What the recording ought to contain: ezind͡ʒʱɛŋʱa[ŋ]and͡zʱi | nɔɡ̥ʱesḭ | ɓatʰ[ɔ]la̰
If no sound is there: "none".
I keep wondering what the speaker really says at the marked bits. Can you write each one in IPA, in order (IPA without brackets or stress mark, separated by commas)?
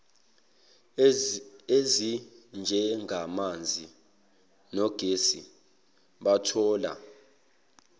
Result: m, ɔː